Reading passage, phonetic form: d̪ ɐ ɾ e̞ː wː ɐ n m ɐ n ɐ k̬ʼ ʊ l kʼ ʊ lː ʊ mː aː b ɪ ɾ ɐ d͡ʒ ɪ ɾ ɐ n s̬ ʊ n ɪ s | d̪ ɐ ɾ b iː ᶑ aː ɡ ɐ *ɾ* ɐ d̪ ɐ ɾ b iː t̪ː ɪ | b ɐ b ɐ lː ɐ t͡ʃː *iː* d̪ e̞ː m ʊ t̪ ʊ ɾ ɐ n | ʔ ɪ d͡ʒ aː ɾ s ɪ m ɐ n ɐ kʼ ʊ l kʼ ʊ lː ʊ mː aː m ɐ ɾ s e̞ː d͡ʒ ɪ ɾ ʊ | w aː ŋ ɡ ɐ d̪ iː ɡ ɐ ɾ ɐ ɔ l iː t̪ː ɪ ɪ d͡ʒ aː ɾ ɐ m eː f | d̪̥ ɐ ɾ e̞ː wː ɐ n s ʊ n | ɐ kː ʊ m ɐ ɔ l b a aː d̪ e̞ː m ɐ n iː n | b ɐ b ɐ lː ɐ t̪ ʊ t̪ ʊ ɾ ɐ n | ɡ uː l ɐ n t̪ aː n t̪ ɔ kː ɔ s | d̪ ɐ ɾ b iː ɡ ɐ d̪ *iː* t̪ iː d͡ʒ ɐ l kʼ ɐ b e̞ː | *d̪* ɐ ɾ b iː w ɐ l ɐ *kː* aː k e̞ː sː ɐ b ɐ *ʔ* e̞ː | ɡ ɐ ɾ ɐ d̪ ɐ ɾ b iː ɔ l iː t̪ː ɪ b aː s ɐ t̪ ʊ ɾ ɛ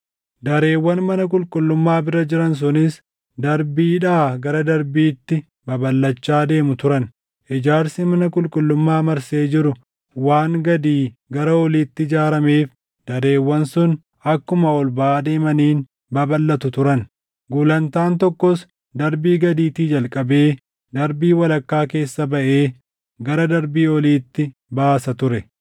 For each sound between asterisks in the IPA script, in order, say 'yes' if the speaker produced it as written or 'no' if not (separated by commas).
yes, no, yes, yes, yes, yes